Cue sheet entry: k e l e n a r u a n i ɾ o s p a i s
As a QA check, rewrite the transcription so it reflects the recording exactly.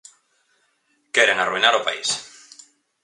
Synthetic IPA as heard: k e ɾ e ŋ a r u i n a ɾ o p a i s